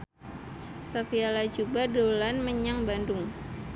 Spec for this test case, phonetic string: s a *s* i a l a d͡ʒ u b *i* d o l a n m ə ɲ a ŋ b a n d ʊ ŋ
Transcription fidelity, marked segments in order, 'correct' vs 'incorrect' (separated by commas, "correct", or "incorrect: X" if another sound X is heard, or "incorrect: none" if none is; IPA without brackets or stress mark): incorrect: f, incorrect: a